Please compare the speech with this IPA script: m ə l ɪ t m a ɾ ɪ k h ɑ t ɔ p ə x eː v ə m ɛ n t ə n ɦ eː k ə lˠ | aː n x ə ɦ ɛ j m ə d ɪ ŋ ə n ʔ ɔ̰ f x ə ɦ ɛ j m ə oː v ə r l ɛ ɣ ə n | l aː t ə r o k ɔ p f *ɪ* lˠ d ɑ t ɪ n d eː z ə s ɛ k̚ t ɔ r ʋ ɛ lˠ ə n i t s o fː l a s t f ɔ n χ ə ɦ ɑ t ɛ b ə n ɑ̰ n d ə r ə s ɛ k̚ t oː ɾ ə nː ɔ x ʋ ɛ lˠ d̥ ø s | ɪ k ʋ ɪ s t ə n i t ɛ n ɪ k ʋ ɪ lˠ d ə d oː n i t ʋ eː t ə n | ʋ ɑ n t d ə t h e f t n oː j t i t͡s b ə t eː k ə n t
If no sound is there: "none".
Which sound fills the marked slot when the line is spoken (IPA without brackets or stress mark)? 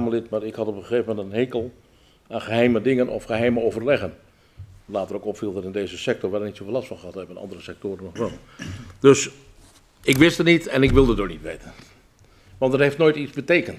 i